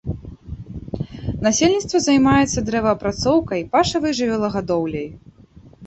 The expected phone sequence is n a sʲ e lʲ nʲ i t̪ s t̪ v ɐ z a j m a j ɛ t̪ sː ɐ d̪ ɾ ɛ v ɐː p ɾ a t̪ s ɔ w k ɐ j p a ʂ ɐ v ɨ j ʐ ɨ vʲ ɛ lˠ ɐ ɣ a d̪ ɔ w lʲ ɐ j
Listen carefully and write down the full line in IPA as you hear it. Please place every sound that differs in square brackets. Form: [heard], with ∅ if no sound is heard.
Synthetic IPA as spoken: n a sʲ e lʲ nʲ i t̪ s t̪ v ɐ z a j m a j ɛ t̪ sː ɐ d̪ ɾ ɛ v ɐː p ɾ a t̪ s ɔ w k ɐ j p a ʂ ɐ v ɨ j ʐ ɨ vʲ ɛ lˠ ɐ ɣ a d̪ ɔ w lʲ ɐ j